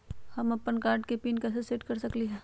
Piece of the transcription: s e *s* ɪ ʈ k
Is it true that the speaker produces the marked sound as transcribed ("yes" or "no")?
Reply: yes